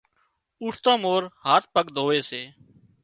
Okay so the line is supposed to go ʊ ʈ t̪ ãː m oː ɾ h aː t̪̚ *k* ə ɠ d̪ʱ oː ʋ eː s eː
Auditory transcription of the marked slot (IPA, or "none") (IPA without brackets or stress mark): p